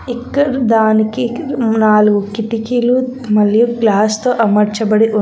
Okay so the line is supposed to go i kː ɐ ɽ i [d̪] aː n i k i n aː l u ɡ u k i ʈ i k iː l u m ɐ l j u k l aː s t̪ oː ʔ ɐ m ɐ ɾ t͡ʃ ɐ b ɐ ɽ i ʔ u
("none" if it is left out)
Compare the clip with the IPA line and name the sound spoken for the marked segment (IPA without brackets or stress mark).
d̪